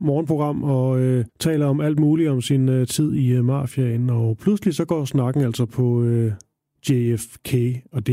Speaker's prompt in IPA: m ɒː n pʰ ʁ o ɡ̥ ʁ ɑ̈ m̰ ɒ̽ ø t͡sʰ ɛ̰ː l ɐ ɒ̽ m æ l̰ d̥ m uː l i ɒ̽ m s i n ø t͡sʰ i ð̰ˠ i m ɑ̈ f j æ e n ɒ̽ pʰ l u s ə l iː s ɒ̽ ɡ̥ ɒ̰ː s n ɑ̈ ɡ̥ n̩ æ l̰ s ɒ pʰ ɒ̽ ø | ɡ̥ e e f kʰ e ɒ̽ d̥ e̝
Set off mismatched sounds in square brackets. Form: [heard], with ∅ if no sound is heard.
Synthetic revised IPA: m ɒː n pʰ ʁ o ɡ̥ ʁ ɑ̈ m̰ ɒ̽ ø t͡sʰ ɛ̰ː l ɐ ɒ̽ m æ l̰ d̥ m uː l i ɒ̽ m s i n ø t͡sʰ i ð̰ˠ i m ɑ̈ f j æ e n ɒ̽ pʰ l u s ə l [i] s ɒ̽ ɡ̥ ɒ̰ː s n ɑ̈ ɡ̥ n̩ æ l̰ s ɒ pʰ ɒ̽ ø | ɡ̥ e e f kʰ e ɒ̽ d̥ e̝